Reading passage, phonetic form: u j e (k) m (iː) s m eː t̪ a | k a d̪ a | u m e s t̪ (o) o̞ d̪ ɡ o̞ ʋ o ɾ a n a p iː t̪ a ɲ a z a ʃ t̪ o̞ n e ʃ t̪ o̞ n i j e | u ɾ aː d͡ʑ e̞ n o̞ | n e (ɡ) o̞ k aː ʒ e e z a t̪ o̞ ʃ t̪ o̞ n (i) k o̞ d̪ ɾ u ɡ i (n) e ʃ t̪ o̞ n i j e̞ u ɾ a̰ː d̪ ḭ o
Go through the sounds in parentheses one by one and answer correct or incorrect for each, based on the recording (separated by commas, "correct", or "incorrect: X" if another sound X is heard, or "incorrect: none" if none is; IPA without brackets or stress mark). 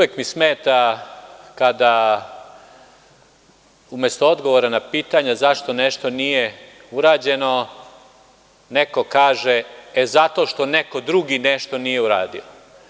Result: correct, incorrect: i, correct, incorrect: k, incorrect: e, correct